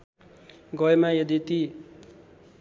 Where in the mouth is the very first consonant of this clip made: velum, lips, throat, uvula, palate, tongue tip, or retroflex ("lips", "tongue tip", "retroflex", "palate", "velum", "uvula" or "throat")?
velum